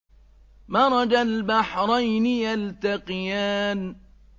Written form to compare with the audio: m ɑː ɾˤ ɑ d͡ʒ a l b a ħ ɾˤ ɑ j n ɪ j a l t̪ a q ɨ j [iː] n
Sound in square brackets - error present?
yes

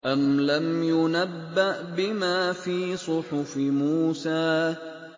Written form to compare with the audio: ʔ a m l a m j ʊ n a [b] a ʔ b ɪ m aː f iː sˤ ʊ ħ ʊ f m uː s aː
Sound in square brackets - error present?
yes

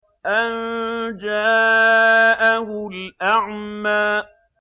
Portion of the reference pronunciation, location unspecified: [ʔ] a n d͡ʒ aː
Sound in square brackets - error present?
no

